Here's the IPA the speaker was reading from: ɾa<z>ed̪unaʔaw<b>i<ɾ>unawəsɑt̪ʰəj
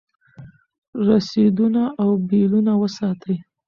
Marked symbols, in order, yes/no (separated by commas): no, yes, no